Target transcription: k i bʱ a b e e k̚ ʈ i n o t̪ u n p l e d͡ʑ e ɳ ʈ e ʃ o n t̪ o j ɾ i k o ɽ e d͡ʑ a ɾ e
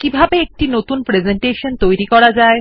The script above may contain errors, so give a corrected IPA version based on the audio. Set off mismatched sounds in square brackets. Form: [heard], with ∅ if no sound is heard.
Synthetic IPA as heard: k i bʱ a b e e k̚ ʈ i n o t̪ u n p [ɾ] e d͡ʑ e ɳ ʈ e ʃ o n t̪ o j ɾ i k [ɔ] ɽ [a] d͡ʑ a [∅] e

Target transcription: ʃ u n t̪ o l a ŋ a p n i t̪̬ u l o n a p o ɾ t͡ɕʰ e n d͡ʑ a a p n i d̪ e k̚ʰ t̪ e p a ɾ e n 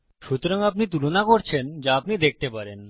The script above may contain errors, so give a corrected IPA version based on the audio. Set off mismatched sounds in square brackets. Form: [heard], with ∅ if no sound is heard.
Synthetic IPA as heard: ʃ u [∅] t̪ o [ɾ] a ŋ a p n i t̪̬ u l o n a [k] o ɾ t͡ɕʰ e n d͡ʑ a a p n i d̪ e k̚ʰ t̪ e p a ɾ e n

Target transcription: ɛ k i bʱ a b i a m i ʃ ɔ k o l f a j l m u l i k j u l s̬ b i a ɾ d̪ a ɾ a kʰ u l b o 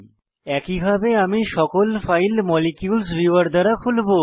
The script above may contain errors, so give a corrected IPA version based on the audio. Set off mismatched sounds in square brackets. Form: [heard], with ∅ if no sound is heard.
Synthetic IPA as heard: ɛ k i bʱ a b [e] a m i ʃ ɔ k o l f a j l m [ɔ] l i k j u l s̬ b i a ɾ d̪ a ɾ a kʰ u l b o

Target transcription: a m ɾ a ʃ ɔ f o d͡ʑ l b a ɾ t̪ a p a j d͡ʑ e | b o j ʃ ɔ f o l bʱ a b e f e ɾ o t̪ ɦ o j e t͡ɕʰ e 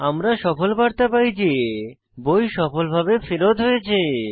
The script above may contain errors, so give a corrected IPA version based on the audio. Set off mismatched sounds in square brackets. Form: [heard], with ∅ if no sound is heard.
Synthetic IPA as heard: a m ɾ a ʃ ɔ f o [∅] l b a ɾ t̪ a p a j d͡ʑ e | b o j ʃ ɔ f o l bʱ a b e f e ɾ o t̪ ɦ o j e t͡ɕʰ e

